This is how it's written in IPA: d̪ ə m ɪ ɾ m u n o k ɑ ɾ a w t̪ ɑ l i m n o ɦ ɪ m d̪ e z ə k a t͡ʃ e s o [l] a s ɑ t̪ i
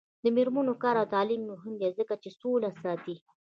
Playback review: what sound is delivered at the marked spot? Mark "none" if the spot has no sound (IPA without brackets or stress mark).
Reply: l